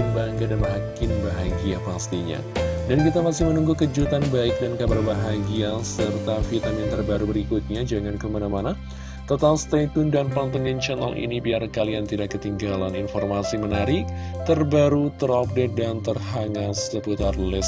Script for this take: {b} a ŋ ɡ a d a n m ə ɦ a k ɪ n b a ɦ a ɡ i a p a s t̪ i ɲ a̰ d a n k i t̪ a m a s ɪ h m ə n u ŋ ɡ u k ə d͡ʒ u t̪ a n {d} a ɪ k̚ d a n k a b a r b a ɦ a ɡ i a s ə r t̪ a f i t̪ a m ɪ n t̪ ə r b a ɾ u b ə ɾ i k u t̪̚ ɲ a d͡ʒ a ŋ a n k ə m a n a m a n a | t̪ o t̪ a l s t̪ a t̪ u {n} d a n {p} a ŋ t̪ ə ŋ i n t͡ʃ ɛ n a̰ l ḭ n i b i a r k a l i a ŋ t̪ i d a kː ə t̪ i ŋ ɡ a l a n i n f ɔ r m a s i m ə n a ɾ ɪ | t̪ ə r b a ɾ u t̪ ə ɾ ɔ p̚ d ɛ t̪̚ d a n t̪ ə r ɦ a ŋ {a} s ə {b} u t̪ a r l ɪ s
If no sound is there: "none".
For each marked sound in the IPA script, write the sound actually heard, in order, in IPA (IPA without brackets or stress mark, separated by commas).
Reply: b, b, n, p, a, p